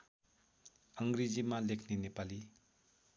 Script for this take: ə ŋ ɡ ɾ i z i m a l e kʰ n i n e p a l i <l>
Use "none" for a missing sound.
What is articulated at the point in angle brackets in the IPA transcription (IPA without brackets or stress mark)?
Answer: none